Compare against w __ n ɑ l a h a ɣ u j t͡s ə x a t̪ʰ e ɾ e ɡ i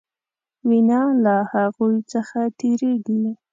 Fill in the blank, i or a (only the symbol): i